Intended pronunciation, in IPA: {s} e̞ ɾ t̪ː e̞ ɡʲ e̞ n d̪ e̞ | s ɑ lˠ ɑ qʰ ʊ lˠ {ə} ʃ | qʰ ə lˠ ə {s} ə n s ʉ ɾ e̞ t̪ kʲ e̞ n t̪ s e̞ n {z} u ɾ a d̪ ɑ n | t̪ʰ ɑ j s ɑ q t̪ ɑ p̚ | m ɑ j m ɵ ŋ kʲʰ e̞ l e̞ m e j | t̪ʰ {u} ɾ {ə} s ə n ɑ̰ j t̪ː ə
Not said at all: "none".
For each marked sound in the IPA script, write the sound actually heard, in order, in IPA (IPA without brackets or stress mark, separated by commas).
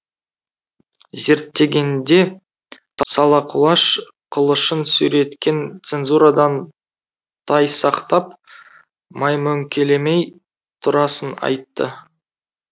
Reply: z, ɑ, ʃ, z, ʊ, ɑ